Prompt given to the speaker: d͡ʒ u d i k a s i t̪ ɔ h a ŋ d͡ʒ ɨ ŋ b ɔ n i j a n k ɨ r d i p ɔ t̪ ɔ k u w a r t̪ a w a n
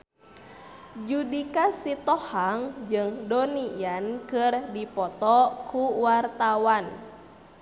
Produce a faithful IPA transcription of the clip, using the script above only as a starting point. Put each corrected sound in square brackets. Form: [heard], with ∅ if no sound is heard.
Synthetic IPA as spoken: d͡ʒ u d i k a s i t̪ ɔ h a ŋ d͡ʒ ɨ ŋ [d] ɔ n i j a n k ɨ r d i p ɔ t̪ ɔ k u w a r t̪ a w a n